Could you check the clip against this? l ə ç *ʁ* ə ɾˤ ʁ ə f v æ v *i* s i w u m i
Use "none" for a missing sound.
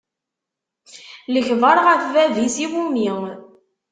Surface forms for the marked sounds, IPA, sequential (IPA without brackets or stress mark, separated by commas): v, i